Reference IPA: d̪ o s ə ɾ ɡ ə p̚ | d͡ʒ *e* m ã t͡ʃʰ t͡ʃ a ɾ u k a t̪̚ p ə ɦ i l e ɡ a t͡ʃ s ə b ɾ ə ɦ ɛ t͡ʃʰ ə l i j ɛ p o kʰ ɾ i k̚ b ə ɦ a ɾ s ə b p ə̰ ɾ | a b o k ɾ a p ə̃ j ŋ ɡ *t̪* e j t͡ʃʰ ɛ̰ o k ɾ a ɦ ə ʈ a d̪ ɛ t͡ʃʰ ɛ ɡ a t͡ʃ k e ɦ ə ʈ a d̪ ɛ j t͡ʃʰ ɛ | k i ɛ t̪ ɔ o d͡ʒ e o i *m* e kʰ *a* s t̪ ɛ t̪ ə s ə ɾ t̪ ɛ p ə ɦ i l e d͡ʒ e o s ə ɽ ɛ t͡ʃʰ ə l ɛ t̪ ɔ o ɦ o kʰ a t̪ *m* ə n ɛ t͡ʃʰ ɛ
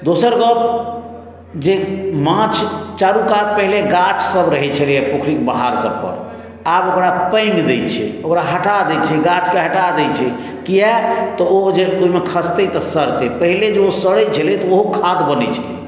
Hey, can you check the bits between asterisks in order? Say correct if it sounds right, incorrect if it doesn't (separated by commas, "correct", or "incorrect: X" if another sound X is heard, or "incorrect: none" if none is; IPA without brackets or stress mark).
correct, incorrect: d̪, correct, incorrect: ə, incorrect: b